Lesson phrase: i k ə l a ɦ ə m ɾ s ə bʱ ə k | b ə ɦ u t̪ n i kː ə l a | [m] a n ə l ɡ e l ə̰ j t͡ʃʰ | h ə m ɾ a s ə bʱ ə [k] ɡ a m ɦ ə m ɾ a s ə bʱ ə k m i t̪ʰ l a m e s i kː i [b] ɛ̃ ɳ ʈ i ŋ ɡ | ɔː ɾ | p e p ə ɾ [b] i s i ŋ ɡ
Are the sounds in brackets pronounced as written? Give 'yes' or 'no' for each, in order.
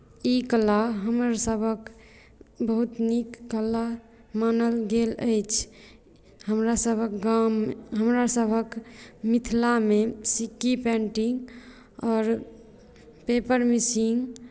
yes, yes, no, no

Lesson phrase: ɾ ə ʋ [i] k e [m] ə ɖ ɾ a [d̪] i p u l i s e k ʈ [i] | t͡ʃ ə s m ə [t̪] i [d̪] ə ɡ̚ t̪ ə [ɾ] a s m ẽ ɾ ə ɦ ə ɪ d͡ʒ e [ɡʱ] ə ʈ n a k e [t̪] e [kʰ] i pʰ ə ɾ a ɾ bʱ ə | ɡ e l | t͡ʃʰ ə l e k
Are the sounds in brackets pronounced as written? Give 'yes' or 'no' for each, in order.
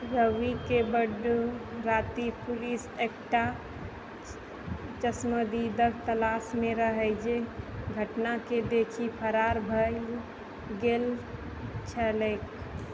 yes, no, no, no, no, yes, no, yes, no, yes

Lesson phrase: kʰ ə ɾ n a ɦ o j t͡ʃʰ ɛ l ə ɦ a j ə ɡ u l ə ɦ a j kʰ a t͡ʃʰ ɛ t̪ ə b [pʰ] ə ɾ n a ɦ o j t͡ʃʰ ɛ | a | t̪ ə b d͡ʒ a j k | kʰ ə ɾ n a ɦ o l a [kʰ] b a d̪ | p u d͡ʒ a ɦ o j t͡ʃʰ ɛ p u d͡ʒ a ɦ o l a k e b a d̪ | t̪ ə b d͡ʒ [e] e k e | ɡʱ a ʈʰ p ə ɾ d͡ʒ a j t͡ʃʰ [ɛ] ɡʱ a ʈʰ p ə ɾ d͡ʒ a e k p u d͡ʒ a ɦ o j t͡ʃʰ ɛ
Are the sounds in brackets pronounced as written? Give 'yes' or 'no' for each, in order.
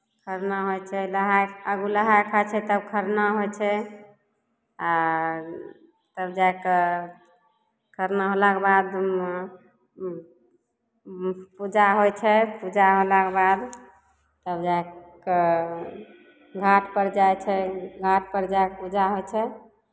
no, no, no, yes

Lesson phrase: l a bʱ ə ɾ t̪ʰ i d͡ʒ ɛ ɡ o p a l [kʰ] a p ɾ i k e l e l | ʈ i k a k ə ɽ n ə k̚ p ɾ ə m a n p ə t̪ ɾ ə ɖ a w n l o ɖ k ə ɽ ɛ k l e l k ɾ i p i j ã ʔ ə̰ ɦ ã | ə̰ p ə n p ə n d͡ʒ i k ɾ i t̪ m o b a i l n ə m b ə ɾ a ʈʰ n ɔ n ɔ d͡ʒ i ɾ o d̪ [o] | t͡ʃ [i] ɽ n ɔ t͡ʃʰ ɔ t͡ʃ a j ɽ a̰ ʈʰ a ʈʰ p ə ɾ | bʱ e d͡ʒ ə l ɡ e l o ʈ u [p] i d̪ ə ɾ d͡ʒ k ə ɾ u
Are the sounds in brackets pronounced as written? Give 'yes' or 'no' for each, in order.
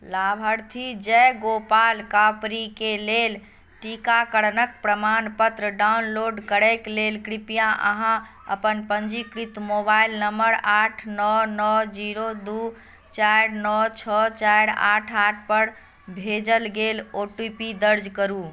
no, no, no, yes

